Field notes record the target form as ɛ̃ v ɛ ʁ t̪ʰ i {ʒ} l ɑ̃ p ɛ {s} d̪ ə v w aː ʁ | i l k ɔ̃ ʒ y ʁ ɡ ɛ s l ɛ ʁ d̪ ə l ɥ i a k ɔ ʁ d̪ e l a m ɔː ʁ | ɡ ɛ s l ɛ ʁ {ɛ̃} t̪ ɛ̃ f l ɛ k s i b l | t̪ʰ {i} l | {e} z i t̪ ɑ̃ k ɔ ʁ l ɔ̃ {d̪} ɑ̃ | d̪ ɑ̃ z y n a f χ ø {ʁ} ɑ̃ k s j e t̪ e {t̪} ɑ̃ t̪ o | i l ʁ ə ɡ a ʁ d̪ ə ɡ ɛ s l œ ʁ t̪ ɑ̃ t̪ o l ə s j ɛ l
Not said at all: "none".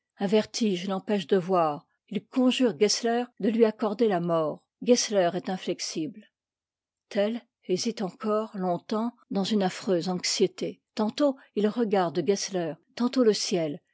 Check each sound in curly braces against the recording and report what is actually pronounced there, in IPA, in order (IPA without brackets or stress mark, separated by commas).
ʒ, ʃ, ɛ, ɛ, e, t̪, z, t̪